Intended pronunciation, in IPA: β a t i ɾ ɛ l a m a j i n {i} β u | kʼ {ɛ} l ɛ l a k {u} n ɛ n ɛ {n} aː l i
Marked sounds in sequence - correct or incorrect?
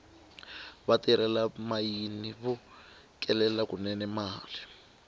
correct, correct, correct, incorrect: m

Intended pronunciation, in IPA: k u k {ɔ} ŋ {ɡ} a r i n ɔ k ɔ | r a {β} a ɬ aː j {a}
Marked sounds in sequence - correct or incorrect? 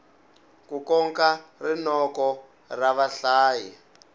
correct, incorrect: k, correct, incorrect: i

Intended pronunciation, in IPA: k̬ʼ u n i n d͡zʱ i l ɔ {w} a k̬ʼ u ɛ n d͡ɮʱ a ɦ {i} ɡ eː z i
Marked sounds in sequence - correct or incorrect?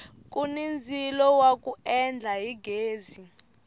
correct, correct

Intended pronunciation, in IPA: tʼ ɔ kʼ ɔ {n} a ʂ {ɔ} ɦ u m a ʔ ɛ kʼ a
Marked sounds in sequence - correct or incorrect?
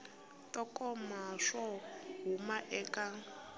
incorrect: m, correct

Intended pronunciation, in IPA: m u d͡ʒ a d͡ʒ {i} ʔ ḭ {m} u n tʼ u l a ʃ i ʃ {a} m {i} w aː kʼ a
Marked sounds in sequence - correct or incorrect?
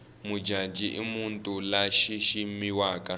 correct, correct, incorrect: i, correct

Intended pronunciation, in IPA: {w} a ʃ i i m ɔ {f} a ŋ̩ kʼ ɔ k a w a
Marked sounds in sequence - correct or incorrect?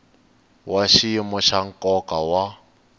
correct, incorrect: ʃ

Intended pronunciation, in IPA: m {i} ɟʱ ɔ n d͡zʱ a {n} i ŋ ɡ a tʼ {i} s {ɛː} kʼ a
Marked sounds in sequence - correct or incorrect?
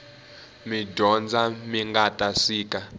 correct, incorrect: m, incorrect: a, incorrect: iː

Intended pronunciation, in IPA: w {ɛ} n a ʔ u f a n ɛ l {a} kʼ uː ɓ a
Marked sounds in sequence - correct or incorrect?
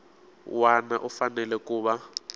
incorrect: a, incorrect: ɛ

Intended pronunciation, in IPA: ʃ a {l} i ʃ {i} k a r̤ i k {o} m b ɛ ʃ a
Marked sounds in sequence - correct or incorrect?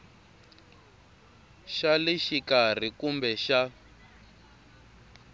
correct, correct, incorrect: u

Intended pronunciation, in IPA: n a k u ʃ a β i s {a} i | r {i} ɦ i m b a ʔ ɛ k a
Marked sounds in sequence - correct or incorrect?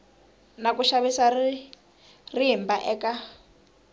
correct, correct

